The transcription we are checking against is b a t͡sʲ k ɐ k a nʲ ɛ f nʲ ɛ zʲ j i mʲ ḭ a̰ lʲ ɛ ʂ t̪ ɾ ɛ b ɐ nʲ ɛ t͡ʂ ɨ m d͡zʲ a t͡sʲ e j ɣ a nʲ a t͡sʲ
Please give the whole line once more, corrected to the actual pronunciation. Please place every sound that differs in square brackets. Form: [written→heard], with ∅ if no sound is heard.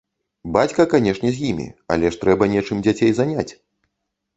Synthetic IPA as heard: b a t͡sʲ k ɐ k a nʲ ɛ [f→ʂ] nʲ ɛ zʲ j i mʲ ḭ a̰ lʲ ɛ ʂ t̪ ɾ ɛ b ɐ nʲ ɛ t͡ʂ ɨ m d͡zʲ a t͡sʲ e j [ɣ→z] a nʲ a t͡sʲ